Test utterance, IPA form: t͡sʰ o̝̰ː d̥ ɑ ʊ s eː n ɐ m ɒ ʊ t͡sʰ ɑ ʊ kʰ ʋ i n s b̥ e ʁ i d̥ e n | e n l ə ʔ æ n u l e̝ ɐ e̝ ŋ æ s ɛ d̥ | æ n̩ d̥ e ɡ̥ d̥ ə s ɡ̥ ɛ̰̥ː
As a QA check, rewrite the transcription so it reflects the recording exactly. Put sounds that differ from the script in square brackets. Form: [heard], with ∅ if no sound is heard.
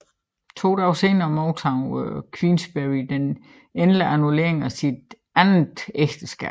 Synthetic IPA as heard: t͡sʰ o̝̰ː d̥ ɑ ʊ s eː n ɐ m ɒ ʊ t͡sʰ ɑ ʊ kʰ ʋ i n s b̥ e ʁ i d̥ e n | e n l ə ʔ æ n u l e̝ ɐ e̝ ŋ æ s [i] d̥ | æ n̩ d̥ e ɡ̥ d̥ ə s ɡ̥ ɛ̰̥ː